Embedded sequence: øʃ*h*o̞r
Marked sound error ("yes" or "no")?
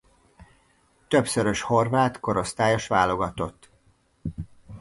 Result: no